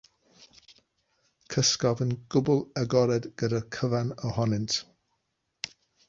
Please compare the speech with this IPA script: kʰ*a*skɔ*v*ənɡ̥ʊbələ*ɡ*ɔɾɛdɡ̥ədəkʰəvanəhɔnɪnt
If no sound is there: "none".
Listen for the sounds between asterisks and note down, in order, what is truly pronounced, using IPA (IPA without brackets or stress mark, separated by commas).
ə, v, ɡ